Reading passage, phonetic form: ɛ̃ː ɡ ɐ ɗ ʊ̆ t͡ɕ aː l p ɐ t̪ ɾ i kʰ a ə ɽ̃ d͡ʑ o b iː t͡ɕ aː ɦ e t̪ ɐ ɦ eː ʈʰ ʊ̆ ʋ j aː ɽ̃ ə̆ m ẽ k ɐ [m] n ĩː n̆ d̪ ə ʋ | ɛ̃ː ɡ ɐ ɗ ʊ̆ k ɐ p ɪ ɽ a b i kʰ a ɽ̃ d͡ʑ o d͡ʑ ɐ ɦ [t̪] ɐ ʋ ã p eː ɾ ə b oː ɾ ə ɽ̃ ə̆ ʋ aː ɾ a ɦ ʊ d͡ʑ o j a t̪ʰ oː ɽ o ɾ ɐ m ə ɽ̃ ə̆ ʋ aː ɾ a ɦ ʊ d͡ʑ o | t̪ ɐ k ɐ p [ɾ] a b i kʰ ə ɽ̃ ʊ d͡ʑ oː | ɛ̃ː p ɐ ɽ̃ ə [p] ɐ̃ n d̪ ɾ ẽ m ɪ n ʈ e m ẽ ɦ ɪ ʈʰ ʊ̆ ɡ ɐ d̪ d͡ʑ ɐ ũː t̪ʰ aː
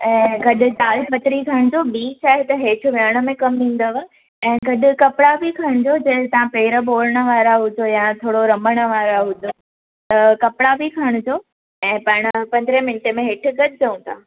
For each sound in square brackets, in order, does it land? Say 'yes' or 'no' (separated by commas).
yes, yes, no, yes